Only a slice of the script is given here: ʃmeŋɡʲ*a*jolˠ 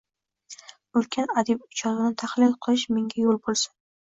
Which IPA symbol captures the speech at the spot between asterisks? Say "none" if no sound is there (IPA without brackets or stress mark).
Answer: a